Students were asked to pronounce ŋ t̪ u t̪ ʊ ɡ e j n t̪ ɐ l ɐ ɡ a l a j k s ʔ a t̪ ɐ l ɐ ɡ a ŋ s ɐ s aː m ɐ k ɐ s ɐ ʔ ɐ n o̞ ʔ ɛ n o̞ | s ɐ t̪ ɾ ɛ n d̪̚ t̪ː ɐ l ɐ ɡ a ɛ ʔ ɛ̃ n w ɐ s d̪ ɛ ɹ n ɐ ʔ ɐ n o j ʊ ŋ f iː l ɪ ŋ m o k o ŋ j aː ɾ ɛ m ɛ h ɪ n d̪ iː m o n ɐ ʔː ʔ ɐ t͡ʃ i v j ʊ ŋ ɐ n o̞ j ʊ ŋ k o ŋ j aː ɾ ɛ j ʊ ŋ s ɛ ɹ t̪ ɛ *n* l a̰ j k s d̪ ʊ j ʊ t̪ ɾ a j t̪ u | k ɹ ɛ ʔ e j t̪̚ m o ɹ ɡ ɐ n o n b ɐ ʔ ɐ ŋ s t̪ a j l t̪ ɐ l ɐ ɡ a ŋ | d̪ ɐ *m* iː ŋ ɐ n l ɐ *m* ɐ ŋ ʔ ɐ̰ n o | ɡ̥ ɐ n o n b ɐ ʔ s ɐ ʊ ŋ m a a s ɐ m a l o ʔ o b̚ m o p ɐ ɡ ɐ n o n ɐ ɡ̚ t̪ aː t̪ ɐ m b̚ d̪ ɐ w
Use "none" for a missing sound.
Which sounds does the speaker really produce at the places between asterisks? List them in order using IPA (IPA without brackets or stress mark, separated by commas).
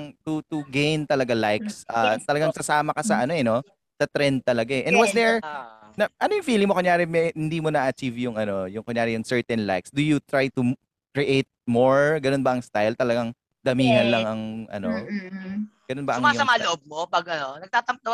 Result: n, m, ŋ